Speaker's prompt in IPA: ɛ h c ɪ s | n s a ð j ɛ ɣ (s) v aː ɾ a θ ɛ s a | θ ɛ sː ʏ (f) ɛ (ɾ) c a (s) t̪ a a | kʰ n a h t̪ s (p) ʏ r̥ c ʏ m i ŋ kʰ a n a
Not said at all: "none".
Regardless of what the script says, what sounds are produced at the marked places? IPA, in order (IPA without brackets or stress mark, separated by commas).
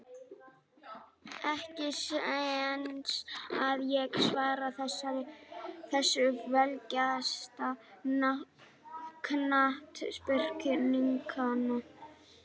s, v, l, s, p